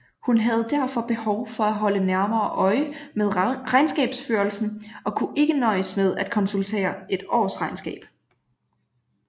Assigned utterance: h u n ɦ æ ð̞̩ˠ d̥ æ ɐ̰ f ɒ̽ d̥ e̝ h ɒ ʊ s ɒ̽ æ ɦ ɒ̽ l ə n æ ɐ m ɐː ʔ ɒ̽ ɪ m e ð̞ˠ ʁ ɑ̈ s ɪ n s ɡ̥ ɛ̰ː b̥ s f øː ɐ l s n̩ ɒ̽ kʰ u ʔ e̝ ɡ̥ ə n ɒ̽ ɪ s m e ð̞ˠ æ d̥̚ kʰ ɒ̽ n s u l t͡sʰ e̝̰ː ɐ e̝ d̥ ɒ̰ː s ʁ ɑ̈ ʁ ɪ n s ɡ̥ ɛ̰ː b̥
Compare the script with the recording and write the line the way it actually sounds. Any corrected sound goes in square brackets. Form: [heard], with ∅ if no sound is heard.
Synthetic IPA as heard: h u n ɦ æ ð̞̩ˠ d̥ æ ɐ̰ f ɒ̽ [b̥] e̝ h ɒ ʊ [f] ɒ̽ æ ɦ ɒ̽ l ə n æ ɐ m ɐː ʔ ɒ̽ ɪ m e ð̞ˠ ʁ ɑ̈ [∅] ɪ n s ɡ̥ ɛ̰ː b̥ s f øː ɐ l s n̩ ɒ̽ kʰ u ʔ e̝ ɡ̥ ə n ɒ̽ ɪ s m e ð̞ˠ æ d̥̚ kʰ ɒ̽ n s u l t͡sʰ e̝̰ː ɐ e̝ d̥ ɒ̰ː s ʁ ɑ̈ [∅] ɪ n s ɡ̥ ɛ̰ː b̥